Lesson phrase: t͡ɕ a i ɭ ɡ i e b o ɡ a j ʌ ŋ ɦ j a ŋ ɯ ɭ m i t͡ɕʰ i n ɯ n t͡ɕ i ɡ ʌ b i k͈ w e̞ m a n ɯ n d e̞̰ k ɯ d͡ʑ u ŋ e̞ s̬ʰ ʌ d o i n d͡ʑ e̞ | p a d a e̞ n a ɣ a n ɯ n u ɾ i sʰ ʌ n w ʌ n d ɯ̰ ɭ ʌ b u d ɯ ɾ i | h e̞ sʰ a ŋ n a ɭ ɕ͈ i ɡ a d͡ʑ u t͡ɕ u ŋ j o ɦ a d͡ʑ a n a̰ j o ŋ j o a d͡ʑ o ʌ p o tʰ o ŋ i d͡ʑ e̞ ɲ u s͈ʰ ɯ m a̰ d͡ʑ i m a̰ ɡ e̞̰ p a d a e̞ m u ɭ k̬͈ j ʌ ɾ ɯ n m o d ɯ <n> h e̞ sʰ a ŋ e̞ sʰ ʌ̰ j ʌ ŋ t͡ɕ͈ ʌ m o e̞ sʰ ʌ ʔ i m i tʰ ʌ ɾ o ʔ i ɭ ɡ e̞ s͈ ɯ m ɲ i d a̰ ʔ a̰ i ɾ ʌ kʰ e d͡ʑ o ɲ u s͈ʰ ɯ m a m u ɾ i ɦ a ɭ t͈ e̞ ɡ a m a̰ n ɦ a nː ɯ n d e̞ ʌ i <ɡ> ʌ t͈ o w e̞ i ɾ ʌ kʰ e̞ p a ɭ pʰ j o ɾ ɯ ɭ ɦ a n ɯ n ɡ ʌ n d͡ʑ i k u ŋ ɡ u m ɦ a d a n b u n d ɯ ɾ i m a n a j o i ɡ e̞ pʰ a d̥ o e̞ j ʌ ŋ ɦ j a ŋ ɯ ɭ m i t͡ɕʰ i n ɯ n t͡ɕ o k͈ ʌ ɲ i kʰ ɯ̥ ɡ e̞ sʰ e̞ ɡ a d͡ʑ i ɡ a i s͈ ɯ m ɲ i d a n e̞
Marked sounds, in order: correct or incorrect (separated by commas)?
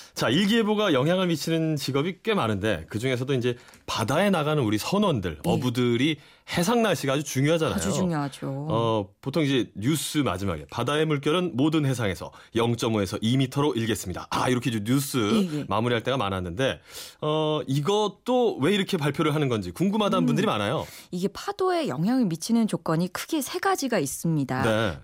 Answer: correct, correct